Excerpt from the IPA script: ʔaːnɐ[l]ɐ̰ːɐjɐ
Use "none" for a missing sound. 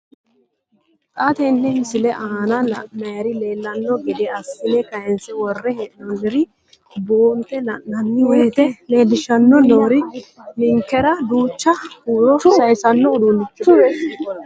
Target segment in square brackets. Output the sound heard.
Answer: l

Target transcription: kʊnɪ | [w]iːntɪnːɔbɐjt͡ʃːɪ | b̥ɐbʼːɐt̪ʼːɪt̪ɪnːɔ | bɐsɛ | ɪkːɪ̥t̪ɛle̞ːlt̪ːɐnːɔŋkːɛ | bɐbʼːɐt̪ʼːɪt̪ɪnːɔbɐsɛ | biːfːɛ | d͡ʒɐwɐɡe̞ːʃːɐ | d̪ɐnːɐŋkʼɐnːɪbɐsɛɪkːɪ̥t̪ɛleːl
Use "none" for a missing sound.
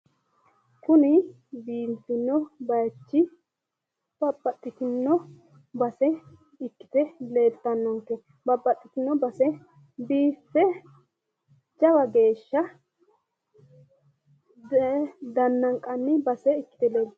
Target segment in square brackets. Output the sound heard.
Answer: b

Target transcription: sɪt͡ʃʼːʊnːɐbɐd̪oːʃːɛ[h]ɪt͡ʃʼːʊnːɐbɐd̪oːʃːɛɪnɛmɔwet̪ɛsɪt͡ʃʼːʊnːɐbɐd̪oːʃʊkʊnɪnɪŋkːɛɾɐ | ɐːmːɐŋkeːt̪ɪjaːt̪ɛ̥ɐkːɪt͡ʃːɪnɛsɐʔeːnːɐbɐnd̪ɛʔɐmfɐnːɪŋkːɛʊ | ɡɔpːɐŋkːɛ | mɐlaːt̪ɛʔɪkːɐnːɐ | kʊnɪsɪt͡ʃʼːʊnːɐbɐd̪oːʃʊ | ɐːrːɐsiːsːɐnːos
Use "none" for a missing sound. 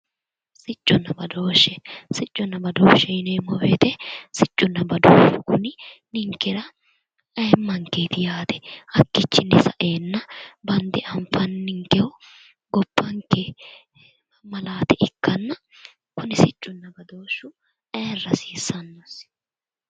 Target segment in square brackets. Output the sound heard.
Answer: s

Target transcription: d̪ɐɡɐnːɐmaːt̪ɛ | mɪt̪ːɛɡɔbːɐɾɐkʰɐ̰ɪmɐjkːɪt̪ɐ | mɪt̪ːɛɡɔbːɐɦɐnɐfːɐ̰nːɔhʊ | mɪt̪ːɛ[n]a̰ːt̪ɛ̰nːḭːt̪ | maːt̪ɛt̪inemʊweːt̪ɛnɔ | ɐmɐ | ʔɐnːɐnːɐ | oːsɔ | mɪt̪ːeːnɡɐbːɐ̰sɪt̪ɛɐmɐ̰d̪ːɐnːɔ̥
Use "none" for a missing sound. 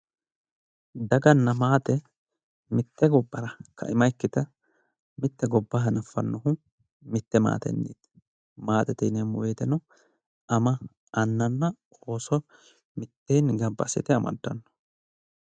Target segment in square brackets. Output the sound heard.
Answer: m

